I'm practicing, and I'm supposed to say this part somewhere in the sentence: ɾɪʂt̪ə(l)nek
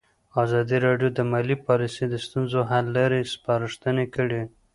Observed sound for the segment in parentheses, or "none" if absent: none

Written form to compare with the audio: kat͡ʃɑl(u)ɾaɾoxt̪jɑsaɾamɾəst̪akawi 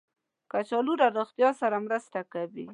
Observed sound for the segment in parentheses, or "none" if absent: u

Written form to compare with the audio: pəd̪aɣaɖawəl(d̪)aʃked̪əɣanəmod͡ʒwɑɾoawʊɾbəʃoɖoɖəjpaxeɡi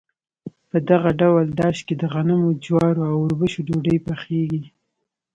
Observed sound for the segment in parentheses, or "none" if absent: d̪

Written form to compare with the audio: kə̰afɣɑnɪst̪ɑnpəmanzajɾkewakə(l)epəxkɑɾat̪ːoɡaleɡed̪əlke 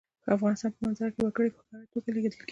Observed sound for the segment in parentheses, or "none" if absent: ɽ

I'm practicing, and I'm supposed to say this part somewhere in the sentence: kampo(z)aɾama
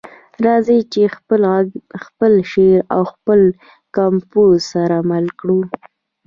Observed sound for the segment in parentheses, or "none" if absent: s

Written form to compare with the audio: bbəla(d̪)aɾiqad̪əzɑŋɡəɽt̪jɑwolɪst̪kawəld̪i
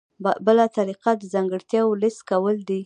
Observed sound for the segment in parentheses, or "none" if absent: t̪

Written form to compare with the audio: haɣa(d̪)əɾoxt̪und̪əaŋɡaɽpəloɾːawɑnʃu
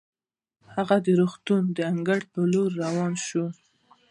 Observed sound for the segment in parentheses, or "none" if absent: d̪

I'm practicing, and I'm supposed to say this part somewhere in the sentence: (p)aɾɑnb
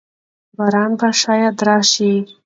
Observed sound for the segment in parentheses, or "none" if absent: b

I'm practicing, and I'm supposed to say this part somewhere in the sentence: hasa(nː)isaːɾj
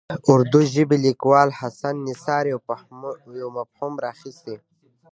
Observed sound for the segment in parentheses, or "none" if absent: nː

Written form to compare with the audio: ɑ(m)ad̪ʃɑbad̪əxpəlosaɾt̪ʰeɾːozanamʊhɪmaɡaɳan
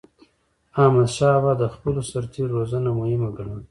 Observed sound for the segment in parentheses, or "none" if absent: m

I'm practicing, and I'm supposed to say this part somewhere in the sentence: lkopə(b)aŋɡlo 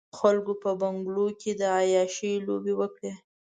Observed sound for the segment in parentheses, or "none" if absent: b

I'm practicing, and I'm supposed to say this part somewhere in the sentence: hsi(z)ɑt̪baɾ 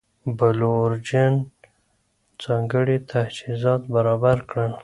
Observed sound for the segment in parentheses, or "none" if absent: z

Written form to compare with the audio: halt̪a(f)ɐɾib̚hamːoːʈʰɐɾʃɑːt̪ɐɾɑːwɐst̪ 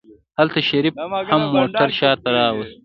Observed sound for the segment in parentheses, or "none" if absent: ʃ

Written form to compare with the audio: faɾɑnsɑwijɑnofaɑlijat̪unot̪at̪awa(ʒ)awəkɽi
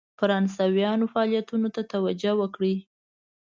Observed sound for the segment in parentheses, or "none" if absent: d͡ʒ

